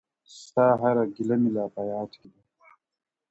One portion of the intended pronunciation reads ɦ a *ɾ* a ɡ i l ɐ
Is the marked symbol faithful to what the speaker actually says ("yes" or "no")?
yes